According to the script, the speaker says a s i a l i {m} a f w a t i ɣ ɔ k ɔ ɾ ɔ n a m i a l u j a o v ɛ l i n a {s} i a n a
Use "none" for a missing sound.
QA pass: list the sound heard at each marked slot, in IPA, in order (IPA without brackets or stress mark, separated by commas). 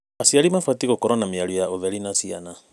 m, s